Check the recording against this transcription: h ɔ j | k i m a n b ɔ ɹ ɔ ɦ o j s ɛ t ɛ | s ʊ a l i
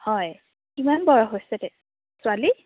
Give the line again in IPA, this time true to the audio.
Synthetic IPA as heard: h ɔ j | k i m a n b ɔ ɹ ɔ ɦ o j s ɛ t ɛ | s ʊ a l i